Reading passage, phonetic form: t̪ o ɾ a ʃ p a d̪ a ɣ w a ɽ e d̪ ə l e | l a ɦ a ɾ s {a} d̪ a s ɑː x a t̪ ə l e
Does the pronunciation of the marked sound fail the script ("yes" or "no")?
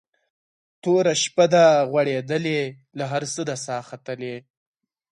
yes